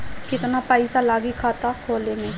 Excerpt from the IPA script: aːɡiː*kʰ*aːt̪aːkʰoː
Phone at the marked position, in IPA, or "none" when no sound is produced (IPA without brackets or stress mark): kʰ